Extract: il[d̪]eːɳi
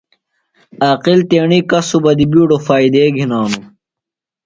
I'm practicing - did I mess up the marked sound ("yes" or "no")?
yes